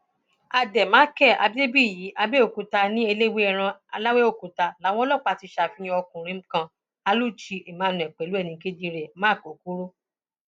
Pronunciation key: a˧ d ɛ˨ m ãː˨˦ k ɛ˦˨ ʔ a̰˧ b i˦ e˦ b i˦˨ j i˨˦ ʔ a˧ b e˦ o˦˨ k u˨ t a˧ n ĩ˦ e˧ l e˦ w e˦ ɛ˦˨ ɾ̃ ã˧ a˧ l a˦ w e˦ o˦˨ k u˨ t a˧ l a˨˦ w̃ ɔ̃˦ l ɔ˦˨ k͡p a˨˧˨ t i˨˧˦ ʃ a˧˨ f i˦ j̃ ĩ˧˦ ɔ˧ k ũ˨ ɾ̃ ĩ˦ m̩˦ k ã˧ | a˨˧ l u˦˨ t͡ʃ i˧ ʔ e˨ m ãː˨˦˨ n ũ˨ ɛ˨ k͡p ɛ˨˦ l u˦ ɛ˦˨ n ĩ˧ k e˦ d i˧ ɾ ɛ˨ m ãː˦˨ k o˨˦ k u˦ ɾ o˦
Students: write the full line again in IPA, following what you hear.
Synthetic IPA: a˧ d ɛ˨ m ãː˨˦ k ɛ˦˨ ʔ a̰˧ b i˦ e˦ b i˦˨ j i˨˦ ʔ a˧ b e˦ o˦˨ k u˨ t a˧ n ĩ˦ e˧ l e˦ w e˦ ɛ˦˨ ɾ̃ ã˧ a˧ l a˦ w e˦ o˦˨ k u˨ t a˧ l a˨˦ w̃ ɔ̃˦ l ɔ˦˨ k͡p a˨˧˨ t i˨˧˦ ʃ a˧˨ f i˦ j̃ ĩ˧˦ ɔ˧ k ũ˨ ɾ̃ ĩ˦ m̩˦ k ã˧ | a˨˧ l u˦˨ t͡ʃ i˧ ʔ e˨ m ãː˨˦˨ n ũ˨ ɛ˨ k͡p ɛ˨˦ l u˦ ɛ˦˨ n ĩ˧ k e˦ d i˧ ɾ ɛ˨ m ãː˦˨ k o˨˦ k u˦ ɾ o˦